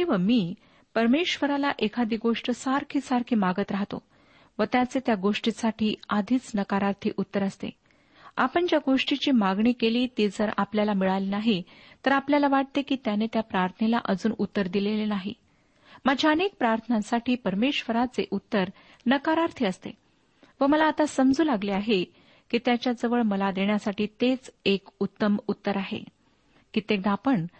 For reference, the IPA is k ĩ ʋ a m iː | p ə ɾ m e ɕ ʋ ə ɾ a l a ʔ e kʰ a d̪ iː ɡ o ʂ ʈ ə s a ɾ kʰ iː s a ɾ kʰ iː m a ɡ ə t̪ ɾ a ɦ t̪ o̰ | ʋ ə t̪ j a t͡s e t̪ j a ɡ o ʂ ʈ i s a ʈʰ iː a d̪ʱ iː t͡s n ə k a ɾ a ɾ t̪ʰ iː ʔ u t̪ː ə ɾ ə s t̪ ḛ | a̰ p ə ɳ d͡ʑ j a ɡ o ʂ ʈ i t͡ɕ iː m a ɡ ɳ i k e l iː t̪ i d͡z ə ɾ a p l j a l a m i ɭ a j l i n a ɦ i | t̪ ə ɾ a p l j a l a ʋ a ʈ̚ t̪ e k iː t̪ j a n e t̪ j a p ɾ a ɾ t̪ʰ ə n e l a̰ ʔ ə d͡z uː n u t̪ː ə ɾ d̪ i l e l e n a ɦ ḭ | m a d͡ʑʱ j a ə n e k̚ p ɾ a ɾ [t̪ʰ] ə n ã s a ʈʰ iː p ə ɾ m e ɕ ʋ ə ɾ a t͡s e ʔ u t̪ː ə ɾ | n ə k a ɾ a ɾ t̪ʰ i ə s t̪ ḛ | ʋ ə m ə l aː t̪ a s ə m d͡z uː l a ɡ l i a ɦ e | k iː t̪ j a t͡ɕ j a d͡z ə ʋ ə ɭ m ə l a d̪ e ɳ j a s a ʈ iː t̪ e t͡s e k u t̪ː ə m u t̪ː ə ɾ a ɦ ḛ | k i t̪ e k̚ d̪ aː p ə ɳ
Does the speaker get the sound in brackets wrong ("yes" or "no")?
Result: no